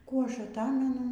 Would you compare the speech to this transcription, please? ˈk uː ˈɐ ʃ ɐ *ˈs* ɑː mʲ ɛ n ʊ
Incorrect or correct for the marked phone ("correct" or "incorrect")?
incorrect